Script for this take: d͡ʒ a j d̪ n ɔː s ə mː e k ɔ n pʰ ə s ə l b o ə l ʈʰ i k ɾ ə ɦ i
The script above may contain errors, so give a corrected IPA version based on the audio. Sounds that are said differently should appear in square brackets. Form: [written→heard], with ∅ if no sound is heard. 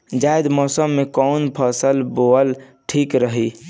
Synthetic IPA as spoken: d͡ʒ a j d̪ [n→m] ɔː s ə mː e k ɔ n pʰ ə s ə l b o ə l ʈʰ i k ɾ ə ɦ i

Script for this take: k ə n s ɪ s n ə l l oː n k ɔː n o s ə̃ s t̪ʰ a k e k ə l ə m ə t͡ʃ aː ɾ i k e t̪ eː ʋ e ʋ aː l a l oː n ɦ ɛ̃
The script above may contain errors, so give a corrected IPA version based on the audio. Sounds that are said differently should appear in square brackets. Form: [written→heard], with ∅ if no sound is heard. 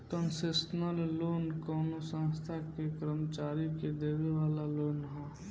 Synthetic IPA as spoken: k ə n s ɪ s n ə l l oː n k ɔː n o s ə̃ s t̪ʰ a k e k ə [l→ɾ] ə m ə t͡ʃ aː ɾ i k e [t̪→d̪] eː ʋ e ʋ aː l a l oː n ɦ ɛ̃

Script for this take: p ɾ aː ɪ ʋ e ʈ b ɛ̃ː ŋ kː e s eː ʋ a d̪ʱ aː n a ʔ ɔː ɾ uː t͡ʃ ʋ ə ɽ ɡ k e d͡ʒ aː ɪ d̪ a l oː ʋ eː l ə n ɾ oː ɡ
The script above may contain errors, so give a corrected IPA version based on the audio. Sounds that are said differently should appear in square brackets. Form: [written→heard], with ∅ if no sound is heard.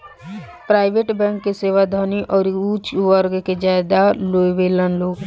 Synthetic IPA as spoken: p ɾ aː ɪ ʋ e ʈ b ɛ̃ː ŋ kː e s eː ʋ a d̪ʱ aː n [a→i] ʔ ɔː ɾ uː t͡ʃ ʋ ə [ɽ→ɾ] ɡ k e d͡ʒ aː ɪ d̪ a l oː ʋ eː l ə n [ɾ→l] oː ɡ

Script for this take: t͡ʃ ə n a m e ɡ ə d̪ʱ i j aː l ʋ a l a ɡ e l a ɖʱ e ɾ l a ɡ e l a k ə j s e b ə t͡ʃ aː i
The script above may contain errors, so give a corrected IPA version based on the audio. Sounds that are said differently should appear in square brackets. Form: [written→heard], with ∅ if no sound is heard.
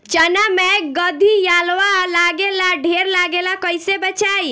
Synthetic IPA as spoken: t͡ʃ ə n a m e ɡ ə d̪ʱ i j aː l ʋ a l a ɡ e l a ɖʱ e ɾ l a ɡ e l a k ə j s e b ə t͡ʃ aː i

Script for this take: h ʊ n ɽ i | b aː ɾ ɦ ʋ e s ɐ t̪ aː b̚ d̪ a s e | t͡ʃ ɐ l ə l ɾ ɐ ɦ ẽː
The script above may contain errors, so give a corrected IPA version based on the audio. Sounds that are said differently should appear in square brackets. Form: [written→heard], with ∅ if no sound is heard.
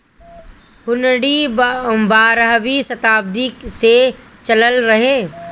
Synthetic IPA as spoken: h ʊ n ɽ i | b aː ɾ ɦ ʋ [e→i] s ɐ t̪ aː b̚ d̪ [a→i] s e | t͡ʃ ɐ l ə l ɾ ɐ ɦ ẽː

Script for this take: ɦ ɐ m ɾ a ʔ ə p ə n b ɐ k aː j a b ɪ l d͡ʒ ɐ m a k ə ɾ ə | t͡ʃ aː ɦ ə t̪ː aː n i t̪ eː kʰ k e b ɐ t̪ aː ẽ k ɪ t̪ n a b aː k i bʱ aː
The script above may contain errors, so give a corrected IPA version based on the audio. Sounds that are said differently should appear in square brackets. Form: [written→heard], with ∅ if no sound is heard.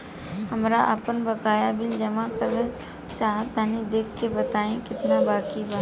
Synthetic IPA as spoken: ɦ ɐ m ɾ a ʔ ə p ə n b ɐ k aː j a b ɪ l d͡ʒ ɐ m a k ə ɾ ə | t͡ʃ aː ɦ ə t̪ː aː n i [t̪→d̪] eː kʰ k e b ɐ t̪ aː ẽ k ɪ t̪ n a b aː k i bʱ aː

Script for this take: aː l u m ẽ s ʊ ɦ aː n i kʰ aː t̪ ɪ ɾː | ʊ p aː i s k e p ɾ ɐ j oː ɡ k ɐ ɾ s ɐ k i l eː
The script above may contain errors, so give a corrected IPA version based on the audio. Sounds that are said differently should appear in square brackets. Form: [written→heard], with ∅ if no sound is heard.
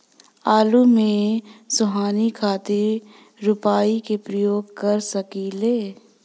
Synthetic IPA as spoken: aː l u m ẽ s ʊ ɦ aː n i kʰ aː t̪ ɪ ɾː | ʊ p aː i [s→∅] k e p ɾ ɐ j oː ɡ k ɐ ɾ s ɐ k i l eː

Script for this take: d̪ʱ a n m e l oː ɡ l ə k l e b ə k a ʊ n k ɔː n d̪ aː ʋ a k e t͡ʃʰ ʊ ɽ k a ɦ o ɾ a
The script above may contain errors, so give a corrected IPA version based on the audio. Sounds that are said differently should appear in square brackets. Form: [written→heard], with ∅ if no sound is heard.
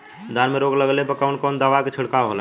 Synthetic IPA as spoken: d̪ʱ a n m e [l→ɾ] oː ɡ l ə [k→ɡ] l e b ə k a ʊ n k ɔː n d̪ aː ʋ a k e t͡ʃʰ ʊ ɽ k a ɦ o [ɾ→l] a

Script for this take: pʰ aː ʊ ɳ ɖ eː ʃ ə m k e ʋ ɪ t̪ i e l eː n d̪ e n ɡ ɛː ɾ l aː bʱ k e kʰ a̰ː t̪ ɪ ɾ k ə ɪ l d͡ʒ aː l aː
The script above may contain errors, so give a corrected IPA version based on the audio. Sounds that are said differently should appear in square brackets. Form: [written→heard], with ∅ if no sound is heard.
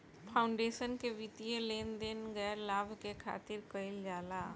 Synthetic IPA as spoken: pʰ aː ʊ ɳ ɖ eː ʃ ə [m→n] k e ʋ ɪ t̪ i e l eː n d̪ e n ɡ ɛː ɾ l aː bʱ k e kʰ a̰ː t̪ ɪ ɾ k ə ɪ l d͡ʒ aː l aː

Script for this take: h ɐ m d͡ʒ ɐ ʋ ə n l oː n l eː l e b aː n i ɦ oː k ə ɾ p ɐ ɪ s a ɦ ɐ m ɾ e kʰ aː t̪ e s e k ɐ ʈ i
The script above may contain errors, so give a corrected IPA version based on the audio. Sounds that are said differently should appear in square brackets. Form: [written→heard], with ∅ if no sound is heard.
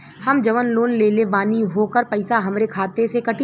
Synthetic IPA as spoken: h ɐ m d͡ʒ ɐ ʋ ə n l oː n l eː l e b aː n i ɦ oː k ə ɾ p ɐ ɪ s a ɦ ɐ m ɾ e kʰ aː t̪ e s e k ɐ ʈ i

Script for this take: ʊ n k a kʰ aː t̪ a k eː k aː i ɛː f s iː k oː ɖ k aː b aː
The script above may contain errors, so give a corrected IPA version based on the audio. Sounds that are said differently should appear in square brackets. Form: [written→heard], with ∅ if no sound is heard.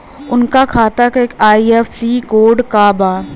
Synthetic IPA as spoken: ʊ n k a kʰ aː t̪ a k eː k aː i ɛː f s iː k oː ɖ k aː b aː

